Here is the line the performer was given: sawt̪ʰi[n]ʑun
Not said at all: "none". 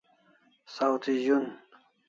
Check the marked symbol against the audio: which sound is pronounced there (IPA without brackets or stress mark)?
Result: none